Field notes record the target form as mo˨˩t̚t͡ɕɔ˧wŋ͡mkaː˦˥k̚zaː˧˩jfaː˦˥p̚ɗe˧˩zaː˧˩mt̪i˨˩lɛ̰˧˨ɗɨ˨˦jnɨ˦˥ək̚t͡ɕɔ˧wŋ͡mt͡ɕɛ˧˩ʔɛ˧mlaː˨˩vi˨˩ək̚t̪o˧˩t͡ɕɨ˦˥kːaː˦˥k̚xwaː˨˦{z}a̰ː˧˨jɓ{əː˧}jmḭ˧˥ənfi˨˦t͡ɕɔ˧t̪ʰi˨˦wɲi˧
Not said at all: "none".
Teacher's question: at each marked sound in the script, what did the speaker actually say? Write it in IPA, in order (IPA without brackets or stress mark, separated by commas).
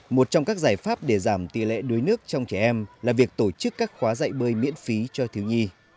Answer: z, əː˧